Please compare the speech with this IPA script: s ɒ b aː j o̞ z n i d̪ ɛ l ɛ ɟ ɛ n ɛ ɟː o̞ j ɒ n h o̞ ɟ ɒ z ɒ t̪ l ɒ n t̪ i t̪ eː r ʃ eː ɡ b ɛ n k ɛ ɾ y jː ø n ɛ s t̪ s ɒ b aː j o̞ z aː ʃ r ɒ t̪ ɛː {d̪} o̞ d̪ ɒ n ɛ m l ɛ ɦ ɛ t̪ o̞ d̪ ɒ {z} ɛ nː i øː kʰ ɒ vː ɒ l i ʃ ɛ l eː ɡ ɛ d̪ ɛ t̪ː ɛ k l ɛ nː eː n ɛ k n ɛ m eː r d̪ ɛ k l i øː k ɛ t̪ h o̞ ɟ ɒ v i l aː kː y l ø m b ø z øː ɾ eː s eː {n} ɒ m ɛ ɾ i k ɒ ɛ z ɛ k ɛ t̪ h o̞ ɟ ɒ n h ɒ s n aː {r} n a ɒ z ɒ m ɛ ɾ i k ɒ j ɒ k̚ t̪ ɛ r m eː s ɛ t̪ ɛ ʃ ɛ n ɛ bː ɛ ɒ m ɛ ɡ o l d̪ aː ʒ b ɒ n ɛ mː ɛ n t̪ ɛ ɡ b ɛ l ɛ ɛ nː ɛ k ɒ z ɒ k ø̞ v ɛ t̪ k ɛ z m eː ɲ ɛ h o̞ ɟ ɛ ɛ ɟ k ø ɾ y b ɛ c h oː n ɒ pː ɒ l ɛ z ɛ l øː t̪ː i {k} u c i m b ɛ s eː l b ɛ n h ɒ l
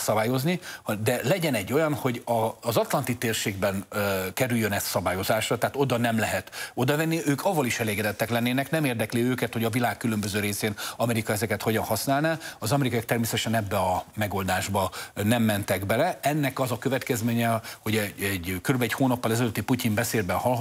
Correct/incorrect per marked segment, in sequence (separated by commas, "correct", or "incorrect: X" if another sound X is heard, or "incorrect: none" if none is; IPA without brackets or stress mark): incorrect: t̪, incorrect: v, correct, incorrect: l, incorrect: p